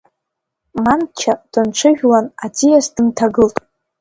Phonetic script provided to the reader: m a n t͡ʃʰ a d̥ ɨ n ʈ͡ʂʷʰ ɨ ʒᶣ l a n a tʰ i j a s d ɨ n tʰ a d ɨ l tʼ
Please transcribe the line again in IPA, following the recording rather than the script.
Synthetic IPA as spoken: m a n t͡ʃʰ a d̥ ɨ n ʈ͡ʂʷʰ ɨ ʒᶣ l a n a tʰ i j a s d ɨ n tʰ a ɡ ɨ l tʼ